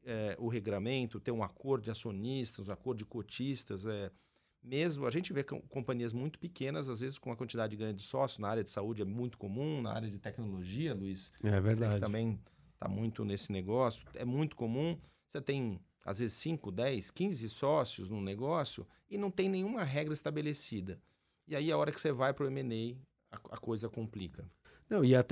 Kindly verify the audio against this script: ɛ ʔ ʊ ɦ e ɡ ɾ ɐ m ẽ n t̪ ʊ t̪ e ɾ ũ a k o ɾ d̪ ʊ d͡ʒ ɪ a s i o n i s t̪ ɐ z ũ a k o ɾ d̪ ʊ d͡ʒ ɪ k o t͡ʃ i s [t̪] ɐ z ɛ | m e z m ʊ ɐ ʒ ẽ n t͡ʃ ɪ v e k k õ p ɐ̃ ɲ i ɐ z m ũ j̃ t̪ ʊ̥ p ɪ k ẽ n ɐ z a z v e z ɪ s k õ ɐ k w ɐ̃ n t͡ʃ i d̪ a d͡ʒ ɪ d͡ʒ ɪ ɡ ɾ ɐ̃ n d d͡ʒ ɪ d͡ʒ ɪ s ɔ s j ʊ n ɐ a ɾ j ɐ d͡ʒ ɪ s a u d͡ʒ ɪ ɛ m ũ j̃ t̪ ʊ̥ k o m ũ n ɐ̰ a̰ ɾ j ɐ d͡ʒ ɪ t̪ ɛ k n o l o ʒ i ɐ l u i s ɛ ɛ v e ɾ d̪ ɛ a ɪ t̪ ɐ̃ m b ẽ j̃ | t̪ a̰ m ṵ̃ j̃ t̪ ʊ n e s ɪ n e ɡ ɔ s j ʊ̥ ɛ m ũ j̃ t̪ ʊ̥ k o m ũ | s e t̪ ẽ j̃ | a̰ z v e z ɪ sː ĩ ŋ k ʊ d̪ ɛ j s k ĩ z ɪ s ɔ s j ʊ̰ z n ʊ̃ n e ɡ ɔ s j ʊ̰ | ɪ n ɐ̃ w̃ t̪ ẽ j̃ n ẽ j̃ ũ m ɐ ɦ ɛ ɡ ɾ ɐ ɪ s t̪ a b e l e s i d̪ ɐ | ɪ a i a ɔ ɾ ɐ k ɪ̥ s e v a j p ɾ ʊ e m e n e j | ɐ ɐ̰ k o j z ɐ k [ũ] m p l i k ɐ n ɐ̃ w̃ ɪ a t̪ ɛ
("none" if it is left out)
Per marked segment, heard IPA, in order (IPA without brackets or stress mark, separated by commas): t̪, õ